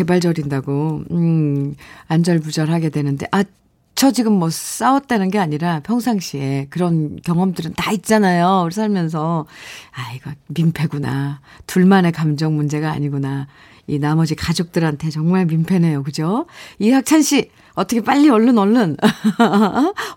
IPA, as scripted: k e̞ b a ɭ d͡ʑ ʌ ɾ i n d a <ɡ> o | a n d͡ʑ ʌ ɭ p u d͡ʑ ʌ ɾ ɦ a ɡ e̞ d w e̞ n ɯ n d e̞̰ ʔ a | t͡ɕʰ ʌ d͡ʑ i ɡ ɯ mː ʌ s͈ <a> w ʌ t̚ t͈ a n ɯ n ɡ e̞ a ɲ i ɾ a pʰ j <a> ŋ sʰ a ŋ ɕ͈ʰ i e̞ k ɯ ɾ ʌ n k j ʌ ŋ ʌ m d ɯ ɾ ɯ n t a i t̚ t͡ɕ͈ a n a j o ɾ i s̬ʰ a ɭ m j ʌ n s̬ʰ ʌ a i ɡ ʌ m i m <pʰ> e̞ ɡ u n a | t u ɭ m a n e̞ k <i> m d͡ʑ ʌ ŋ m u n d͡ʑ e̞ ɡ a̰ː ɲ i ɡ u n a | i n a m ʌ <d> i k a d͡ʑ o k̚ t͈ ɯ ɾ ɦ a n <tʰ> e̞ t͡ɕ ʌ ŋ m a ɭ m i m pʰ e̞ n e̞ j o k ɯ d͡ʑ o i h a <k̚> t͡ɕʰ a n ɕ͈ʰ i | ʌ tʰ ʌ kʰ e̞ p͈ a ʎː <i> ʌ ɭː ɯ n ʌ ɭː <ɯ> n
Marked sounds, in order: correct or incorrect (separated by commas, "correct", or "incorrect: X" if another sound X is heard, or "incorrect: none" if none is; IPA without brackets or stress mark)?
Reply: correct, correct, incorrect: ʌ, correct, incorrect: a, incorrect: d͡ʑ, correct, correct, correct, correct